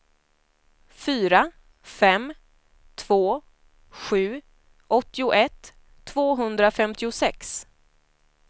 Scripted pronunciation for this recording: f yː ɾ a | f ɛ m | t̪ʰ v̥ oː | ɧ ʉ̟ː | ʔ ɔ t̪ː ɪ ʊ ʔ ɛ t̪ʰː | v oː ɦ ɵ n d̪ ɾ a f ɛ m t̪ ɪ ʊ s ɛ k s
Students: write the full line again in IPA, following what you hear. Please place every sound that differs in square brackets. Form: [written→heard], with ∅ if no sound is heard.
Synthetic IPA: f yː ɾ a | f ɛ m | t̪ʰ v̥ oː | ɧ ʉ̟ː | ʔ ɔ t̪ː ɪ ʊ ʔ ɛ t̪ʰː | v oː ɦ ɵ n d̪ ɾ a f ɛ m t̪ ɪ ʊ s ɛ k s